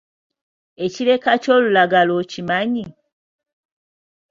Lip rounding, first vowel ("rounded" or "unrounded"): unrounded